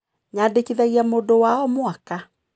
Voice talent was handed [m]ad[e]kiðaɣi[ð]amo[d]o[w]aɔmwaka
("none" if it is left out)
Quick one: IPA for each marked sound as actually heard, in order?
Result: ɲ, e, none, d, w

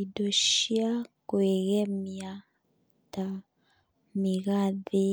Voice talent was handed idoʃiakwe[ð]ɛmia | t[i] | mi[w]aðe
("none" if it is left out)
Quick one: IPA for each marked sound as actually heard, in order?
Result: ɣ, a, ɣ

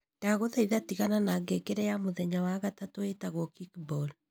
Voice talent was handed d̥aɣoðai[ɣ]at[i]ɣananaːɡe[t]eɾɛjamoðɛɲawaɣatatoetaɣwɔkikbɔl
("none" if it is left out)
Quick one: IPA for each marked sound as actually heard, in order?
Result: ð, i, k

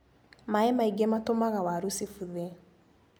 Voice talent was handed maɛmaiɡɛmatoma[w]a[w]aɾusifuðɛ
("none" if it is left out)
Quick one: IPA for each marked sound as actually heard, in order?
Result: ɣ, w

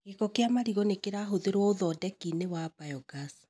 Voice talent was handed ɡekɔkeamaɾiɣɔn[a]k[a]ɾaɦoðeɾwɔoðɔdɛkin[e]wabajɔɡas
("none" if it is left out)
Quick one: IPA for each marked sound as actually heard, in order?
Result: e, e, e

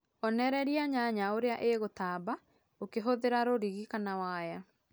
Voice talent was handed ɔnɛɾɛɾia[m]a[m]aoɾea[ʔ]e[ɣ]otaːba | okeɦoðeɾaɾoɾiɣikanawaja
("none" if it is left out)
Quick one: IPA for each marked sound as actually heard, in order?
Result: ɲ, ɲ, ʔ, ɣ

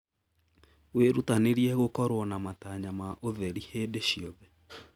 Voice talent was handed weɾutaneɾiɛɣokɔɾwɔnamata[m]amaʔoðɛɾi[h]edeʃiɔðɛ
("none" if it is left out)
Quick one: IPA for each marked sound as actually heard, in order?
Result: ɲ, h

